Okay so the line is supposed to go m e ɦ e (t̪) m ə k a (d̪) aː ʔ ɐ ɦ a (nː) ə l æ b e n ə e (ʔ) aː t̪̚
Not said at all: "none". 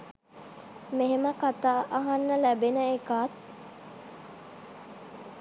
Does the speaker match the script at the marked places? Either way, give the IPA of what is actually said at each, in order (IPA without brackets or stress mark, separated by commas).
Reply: none, t̪, nː, k